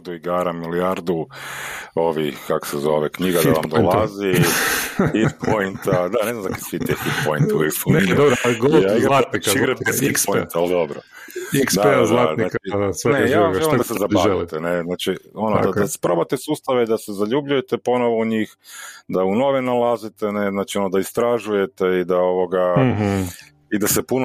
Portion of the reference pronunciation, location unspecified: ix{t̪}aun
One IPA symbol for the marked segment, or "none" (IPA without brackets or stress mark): d̪